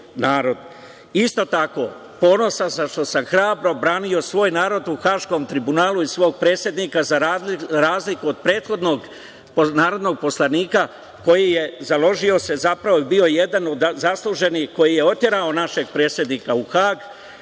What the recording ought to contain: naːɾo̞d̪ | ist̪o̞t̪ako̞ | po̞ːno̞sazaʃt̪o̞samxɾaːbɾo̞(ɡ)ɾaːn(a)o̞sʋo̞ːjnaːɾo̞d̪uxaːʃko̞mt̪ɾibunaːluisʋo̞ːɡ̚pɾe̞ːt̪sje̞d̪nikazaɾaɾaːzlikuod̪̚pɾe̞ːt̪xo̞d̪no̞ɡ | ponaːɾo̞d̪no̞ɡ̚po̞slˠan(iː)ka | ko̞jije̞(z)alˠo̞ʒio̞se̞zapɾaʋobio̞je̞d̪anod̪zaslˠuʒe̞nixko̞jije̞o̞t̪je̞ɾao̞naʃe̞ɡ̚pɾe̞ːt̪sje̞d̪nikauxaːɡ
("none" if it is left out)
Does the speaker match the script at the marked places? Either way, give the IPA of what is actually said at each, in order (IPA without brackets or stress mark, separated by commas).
b, i, iː, z